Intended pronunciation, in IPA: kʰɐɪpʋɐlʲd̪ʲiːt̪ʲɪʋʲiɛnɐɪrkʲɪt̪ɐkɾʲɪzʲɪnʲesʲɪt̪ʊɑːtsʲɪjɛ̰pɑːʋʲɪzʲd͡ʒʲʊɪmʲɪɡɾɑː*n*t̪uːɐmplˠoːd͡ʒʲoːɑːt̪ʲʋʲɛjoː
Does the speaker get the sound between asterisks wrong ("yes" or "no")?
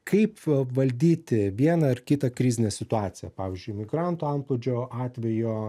no